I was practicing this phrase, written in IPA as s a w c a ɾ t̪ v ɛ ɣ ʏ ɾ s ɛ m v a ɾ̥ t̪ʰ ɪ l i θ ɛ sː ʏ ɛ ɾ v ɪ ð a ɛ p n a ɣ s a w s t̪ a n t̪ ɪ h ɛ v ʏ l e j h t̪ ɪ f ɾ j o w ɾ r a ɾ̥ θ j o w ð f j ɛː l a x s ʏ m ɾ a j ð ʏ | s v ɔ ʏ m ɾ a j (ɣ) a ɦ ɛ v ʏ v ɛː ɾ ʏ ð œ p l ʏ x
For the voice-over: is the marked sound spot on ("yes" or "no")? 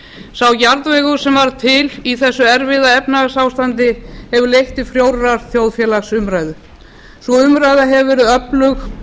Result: no